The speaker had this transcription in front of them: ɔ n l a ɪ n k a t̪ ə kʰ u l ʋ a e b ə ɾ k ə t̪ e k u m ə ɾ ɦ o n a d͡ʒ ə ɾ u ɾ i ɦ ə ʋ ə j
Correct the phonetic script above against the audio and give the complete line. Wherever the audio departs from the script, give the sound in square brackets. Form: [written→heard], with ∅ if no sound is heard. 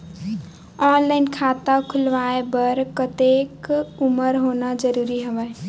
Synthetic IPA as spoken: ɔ n l a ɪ n [k→kʰ] a t̪ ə kʰ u l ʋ a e b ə ɾ k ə t̪ e k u m ə ɾ ɦ o n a d͡ʒ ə ɾ u ɾ i ɦ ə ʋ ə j